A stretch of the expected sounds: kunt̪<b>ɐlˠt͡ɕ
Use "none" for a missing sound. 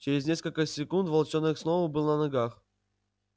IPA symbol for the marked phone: v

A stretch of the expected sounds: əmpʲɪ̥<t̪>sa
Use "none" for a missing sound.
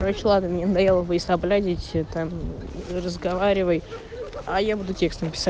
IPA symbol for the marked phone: none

